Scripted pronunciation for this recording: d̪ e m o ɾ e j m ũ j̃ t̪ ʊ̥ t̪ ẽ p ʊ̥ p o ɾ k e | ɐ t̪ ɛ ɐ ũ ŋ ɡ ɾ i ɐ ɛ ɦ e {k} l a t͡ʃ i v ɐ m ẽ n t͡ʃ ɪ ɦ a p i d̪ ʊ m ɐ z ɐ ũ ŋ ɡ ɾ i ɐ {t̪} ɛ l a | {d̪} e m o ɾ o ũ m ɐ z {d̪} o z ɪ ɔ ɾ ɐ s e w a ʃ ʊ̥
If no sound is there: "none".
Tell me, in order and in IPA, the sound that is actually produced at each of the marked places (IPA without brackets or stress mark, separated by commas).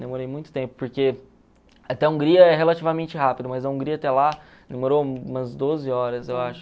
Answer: none, t̪, d̪, d̪